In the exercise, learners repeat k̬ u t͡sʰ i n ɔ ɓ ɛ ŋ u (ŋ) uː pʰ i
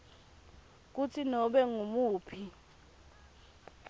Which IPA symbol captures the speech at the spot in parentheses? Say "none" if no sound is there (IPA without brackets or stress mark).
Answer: m